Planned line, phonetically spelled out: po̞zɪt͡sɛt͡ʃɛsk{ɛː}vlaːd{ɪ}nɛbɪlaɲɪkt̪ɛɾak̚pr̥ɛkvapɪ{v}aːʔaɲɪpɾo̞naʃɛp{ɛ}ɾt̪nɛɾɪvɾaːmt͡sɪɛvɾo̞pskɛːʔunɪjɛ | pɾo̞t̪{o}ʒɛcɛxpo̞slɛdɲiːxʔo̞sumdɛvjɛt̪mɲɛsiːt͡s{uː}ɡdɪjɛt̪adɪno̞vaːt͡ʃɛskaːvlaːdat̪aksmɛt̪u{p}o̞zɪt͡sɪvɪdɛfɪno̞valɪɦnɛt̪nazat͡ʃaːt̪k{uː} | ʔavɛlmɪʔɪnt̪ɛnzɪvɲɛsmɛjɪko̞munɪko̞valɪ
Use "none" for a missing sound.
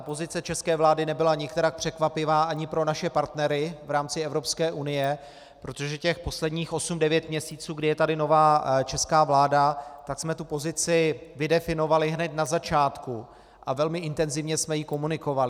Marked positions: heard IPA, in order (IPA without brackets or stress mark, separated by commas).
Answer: ɛː, ɪ, v, a, o, uː, p, u